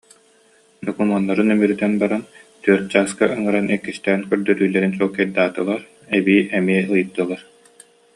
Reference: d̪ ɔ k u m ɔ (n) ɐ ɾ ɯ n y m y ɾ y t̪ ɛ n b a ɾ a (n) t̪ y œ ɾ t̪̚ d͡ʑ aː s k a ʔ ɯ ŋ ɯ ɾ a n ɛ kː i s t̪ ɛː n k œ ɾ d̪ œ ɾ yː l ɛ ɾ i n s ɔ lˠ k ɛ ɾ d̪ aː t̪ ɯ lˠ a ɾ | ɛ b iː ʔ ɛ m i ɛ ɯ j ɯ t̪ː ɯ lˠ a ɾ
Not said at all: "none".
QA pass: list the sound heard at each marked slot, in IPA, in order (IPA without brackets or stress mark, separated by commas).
nː, n